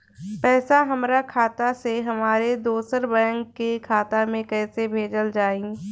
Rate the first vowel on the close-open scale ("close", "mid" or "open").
mid